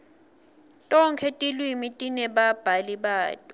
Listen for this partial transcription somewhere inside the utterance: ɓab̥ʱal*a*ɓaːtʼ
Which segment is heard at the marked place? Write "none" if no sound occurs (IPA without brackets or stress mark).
i